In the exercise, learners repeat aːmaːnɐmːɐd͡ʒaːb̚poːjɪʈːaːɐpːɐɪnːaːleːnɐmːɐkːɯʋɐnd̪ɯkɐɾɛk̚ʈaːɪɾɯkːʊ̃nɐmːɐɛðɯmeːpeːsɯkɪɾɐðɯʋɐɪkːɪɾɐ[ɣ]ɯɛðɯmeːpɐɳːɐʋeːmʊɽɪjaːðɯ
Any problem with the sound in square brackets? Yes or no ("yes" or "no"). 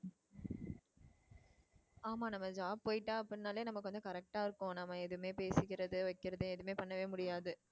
yes